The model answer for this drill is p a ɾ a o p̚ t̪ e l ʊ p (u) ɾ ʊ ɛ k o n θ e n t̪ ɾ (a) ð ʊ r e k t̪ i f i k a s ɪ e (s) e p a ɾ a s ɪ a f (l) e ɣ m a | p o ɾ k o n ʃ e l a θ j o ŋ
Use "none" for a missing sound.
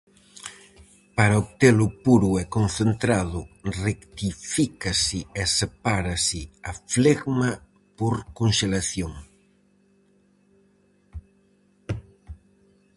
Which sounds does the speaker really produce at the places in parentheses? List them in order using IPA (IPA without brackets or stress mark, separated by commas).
u, a, s, l